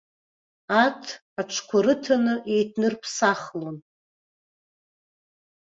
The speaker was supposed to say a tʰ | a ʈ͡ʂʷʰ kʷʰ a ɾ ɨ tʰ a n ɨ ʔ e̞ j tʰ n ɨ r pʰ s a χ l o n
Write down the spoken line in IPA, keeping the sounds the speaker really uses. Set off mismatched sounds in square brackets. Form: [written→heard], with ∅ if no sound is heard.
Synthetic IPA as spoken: a tʰ | a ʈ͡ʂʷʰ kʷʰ a ɾ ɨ tʰ a n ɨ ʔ e̞ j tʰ n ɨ r pʰ s a χ l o n